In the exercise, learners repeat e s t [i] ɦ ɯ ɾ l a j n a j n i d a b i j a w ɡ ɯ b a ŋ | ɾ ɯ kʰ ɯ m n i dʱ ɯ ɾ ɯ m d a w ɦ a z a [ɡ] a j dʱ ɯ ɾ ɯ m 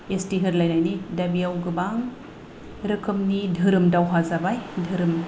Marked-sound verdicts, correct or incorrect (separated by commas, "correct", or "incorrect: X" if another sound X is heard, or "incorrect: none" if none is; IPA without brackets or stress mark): correct, incorrect: b